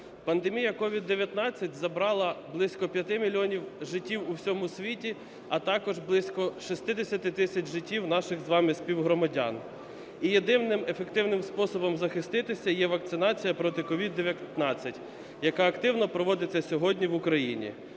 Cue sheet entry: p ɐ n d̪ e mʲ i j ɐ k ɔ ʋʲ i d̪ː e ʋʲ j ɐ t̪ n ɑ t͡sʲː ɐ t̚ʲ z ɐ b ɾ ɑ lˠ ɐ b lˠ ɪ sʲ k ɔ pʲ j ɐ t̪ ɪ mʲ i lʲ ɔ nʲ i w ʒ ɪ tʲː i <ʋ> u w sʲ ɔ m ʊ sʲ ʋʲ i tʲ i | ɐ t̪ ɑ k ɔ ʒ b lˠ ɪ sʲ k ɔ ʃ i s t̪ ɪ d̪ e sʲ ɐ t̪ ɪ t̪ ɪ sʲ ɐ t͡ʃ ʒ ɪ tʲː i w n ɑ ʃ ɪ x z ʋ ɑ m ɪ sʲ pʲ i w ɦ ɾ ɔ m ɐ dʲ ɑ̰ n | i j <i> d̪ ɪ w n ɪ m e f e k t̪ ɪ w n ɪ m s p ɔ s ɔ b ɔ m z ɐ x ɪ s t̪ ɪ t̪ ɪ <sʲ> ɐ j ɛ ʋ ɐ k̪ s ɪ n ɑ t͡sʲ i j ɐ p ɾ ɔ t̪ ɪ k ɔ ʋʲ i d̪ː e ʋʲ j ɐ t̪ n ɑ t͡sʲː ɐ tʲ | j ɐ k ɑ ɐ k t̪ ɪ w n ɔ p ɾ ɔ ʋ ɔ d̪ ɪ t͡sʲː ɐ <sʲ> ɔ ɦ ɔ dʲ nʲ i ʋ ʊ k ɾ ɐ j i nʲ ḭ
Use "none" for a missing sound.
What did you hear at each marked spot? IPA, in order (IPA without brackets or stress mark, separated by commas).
w, e, sʲ, sʲ